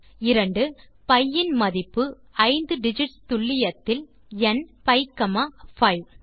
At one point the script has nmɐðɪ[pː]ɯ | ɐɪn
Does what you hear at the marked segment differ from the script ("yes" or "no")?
no